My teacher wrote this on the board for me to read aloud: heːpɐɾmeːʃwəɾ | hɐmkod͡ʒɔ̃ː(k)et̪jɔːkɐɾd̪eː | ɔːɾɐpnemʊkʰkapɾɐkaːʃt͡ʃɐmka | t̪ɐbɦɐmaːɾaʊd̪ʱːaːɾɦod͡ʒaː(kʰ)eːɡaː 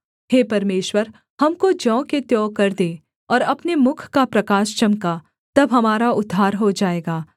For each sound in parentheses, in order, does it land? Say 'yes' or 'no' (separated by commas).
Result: yes, no